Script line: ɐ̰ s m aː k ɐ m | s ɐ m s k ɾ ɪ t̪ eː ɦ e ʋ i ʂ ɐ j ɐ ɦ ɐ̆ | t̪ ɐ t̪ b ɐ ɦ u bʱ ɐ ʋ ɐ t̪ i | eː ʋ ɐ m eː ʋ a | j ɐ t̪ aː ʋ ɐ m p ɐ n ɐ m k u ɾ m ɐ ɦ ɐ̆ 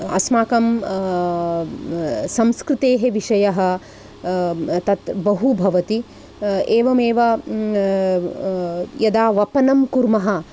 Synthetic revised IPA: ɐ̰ s m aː k ɐ m | s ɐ m s k ɾ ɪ t̪ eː ɦ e ʋ i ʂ ɐ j ɐ ɦ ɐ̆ | t̪ ɐ t̪ b ɐ ɦ u bʱ ɐ ʋ ɐ t̪ i | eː ʋ ɐ m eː ʋ ɐ | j ɐ d̪ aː ʋ ɐ p ɐ n ɐ m k u ɾ m ɐ ɦ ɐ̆